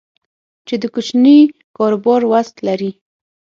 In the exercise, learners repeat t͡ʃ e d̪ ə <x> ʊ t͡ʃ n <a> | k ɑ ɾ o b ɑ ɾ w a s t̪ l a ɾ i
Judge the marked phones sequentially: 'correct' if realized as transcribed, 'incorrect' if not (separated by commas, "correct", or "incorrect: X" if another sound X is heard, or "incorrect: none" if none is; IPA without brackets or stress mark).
incorrect: k, incorrect: i